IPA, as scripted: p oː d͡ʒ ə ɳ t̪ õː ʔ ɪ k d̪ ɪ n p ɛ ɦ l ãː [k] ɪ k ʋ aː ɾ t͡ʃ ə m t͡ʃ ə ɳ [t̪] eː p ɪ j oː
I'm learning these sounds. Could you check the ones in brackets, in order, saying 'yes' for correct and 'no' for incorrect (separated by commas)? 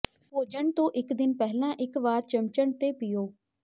no, yes